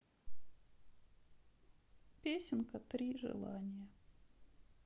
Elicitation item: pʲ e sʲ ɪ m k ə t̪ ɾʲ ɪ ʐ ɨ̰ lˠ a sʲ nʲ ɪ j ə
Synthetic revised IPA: pʲ e sʲ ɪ n k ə t̪ ɾʲ i ʐ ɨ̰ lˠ a nʲ ɪ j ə